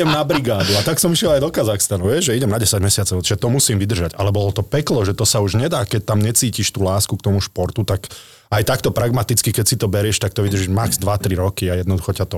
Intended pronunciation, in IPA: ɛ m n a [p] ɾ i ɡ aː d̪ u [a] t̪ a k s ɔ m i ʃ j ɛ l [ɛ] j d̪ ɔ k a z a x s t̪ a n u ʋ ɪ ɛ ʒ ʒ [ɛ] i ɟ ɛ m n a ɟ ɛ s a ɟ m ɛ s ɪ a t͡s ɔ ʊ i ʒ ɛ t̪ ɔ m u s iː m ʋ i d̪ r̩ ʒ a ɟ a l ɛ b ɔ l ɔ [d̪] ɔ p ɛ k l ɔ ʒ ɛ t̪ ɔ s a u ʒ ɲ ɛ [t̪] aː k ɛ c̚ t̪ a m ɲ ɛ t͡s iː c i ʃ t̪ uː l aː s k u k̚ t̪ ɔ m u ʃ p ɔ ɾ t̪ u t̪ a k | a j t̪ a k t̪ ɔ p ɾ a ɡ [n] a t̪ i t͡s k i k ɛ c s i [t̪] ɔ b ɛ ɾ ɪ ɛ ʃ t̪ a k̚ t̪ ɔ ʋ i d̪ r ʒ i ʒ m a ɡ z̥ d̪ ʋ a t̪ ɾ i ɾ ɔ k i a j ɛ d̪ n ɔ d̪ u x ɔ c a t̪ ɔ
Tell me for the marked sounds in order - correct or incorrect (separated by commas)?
incorrect, correct, incorrect, correct, incorrect, incorrect, incorrect, correct